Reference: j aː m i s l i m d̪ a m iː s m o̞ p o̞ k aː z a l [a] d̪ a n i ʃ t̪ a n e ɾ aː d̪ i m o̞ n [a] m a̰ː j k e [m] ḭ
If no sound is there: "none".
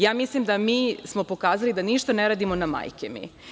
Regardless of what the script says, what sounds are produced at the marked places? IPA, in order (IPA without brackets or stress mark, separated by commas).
i, a, m